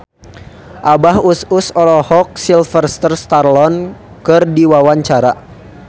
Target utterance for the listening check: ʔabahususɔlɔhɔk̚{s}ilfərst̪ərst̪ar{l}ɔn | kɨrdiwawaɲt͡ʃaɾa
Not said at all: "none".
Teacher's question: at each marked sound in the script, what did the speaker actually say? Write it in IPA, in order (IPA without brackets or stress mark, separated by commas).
s, l